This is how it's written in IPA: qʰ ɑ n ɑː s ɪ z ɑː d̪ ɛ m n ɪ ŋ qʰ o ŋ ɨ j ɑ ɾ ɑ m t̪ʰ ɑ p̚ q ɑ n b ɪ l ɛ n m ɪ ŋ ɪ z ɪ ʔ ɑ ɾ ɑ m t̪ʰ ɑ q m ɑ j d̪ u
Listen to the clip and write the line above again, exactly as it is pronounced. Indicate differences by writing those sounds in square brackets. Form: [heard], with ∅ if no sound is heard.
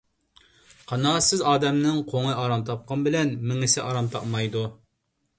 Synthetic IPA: qʰ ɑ n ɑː s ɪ z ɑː d̪ ɛ m n ɪ ŋ qʰ o ŋ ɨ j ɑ ɾ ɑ m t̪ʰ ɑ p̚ q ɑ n b ɪ l ɛ n m ɪ ŋ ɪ [s] ɪ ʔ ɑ ɾ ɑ m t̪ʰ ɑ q m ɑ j d̪ u